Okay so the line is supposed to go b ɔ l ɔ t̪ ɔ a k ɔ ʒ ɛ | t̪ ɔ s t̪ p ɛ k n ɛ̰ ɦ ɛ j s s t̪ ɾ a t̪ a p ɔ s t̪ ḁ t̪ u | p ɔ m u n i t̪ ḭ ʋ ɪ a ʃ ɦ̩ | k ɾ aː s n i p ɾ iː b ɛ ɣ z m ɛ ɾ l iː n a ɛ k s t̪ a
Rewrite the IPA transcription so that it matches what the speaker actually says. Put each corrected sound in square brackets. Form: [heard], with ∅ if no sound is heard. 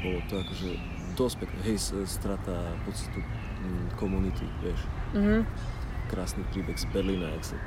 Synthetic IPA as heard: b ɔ l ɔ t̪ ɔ a k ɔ ʒ ɛ | [d̪] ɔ s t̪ p ɛ k n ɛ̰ ɦ ɛ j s s t̪ ɾ a t̪ a p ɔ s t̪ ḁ t̪ u | [k] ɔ m u n i t̪ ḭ ʋ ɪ [ɛ] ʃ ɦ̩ | k ɾ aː s n i p ɾ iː b ɛ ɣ z [b] ɛ ɾ l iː n a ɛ k s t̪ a